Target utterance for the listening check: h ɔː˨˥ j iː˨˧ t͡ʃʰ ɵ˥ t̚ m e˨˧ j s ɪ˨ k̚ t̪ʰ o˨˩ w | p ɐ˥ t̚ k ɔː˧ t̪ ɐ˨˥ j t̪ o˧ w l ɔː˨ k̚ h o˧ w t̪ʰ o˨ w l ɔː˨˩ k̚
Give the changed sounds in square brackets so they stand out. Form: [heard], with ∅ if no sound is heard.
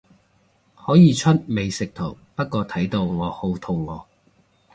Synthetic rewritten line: h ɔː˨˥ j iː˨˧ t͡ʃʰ ɵ˥ t̚ m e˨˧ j s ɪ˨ k̚ t̪ʰ o˨˩ w | p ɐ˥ t̚ k ɔː˧ [t̪ʰ] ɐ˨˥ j t̪ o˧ w l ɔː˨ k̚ h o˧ w t̪ʰ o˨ w l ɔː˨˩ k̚